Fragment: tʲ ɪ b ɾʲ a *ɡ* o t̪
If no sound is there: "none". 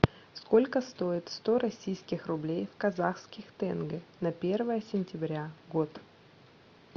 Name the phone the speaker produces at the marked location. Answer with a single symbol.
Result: ɡ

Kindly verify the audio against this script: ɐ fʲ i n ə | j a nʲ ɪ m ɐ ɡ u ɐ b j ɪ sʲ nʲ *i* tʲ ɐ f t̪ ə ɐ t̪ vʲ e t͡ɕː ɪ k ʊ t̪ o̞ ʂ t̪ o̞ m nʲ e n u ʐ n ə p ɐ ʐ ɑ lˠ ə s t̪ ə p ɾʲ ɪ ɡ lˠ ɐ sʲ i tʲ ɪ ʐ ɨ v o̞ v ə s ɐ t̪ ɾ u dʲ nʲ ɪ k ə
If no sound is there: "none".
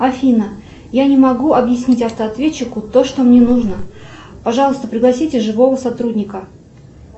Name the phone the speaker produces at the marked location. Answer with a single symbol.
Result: i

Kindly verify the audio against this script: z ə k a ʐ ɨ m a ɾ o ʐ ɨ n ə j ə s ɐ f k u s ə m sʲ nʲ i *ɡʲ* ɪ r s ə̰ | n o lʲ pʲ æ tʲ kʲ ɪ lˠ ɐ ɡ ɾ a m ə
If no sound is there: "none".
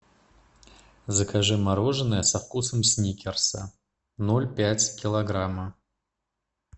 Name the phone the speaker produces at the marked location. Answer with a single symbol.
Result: kʲ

